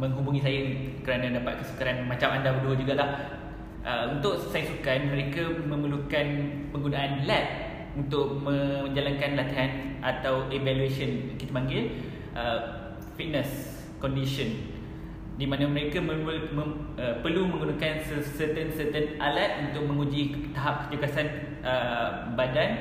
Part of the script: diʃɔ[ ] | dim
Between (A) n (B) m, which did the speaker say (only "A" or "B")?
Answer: A